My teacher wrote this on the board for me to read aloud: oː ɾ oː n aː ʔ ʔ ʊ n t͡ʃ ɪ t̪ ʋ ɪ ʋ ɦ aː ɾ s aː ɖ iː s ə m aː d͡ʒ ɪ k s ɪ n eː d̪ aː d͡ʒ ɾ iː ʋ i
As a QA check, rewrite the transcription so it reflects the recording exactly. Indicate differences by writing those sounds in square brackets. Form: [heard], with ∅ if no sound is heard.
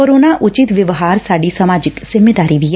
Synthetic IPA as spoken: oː ɾ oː n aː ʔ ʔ ʊ [∅] t͡ʃ ɪ t̪ ʋ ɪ ʋ ɦ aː ɾ s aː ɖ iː s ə m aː d͡ʒ ɪ k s ɪ [m] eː d̪ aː [∅] ɾ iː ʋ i

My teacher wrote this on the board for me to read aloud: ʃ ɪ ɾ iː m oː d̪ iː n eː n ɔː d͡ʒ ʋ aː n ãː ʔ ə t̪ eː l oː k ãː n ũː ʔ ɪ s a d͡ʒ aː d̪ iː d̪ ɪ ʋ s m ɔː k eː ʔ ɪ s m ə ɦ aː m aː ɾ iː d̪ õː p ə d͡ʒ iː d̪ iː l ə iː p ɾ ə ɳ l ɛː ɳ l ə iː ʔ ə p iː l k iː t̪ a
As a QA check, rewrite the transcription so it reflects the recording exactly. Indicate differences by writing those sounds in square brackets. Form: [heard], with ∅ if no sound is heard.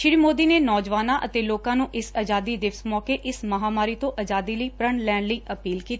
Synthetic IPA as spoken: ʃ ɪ ɾ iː m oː d̪ iː n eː n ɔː d͡ʒ ʋ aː n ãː ʔ ə t̪ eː l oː k ãː n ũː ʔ ɪ s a d͡ʒ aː d̪ iː d̪ ɪ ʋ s m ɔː k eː ʔ ɪ s m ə ɦ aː m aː ɾ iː [t̪] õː [ʔ] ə d͡ʒ [aː] d̪ iː l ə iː p ɾ ə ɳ l ɛː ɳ l ə iː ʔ ə p iː l k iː t̪ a

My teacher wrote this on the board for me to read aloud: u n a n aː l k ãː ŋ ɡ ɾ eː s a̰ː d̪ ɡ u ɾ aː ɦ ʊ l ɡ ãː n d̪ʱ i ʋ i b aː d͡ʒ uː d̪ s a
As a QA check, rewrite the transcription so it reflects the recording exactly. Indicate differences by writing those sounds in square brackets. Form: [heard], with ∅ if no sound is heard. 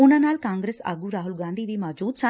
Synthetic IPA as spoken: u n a n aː l k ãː ŋ ɡ ɾ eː s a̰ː [∅] ɡ u ɾ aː ɦ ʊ l ɡ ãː n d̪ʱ i ʋ i [m] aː d͡ʒ uː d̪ s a

